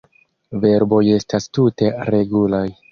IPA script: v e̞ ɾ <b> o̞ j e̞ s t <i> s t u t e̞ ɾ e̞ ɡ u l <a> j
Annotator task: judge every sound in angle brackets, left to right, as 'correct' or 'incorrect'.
correct, incorrect, correct

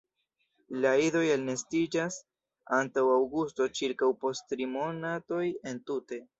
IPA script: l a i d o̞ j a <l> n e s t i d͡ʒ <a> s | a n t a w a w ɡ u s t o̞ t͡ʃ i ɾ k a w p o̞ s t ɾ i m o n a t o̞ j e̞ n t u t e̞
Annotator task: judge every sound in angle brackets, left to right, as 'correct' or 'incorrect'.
correct, correct

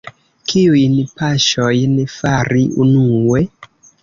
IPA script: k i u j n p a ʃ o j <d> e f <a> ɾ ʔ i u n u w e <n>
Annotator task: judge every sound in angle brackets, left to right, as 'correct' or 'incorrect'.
incorrect, correct, incorrect

